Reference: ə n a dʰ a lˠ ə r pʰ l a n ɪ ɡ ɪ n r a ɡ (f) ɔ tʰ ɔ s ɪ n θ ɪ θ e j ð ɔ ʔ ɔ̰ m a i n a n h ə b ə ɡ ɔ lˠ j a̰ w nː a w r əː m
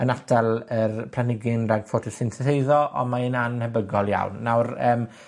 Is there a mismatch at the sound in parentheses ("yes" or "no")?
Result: no